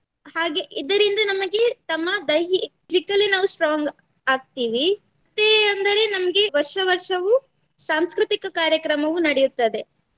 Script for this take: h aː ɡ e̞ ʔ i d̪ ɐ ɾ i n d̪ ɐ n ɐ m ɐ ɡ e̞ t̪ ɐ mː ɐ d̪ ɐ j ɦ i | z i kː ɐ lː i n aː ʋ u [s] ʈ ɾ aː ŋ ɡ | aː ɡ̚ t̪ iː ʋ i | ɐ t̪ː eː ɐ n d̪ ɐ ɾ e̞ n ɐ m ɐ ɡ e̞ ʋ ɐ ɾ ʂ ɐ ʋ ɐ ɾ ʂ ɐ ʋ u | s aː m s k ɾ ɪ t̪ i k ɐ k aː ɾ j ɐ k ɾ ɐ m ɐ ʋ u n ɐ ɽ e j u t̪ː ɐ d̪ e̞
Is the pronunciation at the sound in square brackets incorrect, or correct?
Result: correct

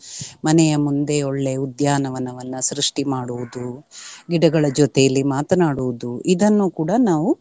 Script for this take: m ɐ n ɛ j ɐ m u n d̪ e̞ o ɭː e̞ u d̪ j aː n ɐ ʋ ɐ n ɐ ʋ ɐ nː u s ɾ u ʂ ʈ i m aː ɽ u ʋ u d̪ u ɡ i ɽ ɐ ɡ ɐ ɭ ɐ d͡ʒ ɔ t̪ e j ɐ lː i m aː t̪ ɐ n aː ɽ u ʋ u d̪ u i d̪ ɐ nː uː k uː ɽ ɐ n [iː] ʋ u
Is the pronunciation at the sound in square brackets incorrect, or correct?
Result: incorrect: aː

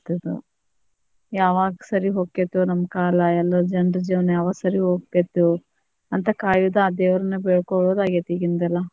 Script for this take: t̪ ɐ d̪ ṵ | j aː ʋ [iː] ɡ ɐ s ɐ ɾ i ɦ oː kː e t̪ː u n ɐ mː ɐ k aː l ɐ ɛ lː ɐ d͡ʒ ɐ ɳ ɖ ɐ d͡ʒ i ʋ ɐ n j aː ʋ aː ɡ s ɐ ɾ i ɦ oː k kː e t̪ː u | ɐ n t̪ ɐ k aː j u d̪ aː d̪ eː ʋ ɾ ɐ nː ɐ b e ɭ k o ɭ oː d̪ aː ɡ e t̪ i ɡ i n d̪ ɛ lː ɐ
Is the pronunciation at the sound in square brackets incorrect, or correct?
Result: incorrect: aː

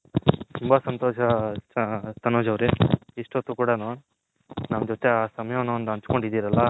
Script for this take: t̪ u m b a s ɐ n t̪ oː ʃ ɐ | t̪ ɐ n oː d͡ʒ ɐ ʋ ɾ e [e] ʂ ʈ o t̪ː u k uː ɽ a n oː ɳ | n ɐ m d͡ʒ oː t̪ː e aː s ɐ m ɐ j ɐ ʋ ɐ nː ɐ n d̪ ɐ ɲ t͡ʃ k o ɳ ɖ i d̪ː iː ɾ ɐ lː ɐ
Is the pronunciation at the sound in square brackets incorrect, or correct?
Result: incorrect: i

